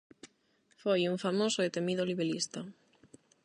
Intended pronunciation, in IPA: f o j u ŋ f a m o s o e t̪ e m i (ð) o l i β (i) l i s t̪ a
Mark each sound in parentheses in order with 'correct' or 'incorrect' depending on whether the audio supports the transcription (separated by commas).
correct, incorrect